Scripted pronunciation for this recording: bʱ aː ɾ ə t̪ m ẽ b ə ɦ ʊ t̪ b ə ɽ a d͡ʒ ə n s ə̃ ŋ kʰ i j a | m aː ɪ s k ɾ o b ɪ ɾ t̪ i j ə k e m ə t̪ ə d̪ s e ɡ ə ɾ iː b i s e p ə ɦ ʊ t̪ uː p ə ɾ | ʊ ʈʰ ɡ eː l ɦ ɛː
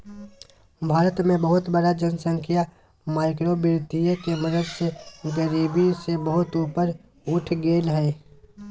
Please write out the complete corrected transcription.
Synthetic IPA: bʱ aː ɾ ə t̪ m ẽ b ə ɦ ʊ t̪ b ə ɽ a d͡ʒ ə n s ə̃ ŋ kʰ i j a | m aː ɪ k ɾ o b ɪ ɾ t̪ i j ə k e m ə d̪ ə d̪ s e ɡ ə ɾ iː b i s e b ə ɦ ʊ t̪ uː p ə ɾ | ʊ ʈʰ ɡ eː l ɦ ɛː